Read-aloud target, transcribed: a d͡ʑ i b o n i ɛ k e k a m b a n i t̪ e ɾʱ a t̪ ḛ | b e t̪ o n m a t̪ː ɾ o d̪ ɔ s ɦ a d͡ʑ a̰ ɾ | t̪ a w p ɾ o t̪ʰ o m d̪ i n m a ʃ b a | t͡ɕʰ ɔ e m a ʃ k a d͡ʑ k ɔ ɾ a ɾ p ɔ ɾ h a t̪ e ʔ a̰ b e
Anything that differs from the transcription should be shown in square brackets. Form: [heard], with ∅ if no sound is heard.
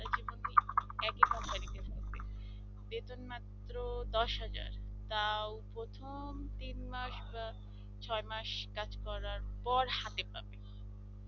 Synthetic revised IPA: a d͡ʑ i b o n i ɛ k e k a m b a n i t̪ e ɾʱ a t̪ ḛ | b e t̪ o n m a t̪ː ɾ o d̪ ɔ [ʃ] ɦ a d͡ʑ a̰ ɾ | t̪ a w p ɾ o t̪ʰ o m [t̪] i n m a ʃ b a | t͡ɕʰ ɔ e m a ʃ k a d͡ʑ k ɔ ɾ a ɾ p ɔ ɾ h a t̪ e [p] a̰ b e

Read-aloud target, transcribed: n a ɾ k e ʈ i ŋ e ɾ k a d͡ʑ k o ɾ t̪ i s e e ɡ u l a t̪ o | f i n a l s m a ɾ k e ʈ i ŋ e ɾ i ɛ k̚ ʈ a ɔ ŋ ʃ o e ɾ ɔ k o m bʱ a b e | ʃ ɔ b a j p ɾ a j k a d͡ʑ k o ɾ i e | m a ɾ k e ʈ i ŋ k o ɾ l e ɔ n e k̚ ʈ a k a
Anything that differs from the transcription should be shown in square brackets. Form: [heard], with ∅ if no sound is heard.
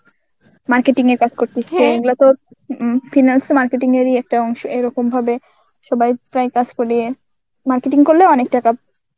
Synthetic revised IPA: [m] a ɾ k e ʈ i ŋ e ɾ k a d͡ʑ k o ɾ t̪ i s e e ɡ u l a t̪ o | f i n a l s m a ɾ k e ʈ i ŋ e ɾ i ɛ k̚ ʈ a ɔ ŋ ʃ o e ɾ ɔ k o m bʱ a b e | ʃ ɔ b a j p ɾ a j k a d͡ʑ k o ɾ i e | m a ɾ k e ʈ i ŋ k o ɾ l e ɔ n e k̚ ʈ a k a

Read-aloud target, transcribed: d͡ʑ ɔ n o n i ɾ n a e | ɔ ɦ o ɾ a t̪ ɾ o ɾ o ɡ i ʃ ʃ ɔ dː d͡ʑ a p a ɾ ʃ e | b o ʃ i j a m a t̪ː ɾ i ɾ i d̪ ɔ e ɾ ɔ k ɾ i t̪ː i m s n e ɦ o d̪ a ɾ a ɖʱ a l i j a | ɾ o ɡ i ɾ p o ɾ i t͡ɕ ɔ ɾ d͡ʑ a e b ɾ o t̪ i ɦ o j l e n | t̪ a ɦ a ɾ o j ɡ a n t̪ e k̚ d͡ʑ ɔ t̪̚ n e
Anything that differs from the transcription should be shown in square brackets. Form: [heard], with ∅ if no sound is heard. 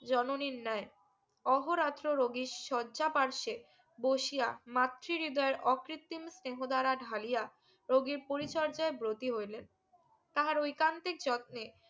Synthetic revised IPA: d͡ʑ ɔ n o n i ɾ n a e | ɔ ɦ o ɾ a t̪ ɾ o ɾ o ɡ i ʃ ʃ ɔ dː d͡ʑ a p a ɾ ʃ e | b o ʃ i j a m a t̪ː ɾ i ɾ i d̪ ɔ e ɾ ɔ k ɾ i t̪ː i m s n e ɦ o d̪ a ɾ a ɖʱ a l i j a | ɾ o ɡ i ɾ p o ɾ i t͡ɕ ɔ ɾ d͡ʑ a e b ɾ o t̪ i ɦ o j l e n | t̪ a ɦ a ɾ o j [k] a n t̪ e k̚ d͡ʑ ɔ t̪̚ n e

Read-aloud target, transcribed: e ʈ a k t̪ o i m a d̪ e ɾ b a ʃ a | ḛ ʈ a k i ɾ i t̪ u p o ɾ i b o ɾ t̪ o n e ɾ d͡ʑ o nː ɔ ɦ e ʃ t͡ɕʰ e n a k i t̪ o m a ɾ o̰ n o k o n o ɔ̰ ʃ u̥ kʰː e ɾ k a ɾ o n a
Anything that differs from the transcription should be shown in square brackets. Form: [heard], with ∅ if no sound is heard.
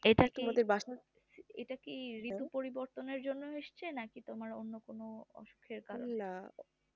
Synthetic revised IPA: e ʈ a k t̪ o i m a d̪ e ɾ b a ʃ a | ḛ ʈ a k i ɾ i t̪ u p o ɾ i b o ɾ t̪ o n e ɾ d͡ʑ o nː [o] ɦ e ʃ t͡ɕʰ e n a k i t̪ o m a ɾ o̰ [nː] o k o n o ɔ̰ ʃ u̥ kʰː e ɾ k a ɾ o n a

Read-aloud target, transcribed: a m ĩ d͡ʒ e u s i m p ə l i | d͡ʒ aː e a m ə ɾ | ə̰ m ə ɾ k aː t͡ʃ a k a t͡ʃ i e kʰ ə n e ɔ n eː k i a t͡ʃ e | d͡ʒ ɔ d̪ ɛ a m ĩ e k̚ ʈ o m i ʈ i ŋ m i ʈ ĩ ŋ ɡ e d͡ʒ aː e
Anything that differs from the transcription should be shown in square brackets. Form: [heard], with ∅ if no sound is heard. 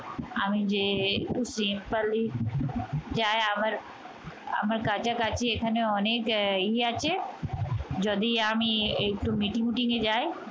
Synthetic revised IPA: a m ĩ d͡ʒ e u s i m p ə l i | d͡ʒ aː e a m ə ɾ | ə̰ m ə ɾ k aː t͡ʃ a k a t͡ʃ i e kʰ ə n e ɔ n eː k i a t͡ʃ e | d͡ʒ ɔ d̪ [i] a m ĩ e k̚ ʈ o m i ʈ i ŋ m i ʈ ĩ ŋ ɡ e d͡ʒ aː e

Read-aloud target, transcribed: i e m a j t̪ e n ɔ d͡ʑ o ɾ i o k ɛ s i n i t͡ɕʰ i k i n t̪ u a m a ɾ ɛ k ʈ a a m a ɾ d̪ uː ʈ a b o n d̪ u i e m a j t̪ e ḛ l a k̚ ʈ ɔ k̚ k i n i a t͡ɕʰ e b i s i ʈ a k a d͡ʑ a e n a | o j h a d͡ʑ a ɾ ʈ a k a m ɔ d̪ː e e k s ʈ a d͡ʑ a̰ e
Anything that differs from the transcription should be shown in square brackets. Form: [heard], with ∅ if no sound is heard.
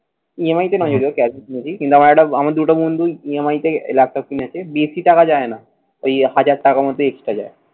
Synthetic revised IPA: i e m a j t̪ e n ɔ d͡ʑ o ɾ i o k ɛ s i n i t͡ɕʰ i k i n t̪ u a m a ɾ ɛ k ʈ a a m a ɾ d̪ [u] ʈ a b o n d̪ u i e m a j t̪ e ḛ l a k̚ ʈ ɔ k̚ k i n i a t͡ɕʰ e b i s i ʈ a k a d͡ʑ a e n a | o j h a d͡ʑ a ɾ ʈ a k a m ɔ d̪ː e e k s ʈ a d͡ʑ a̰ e

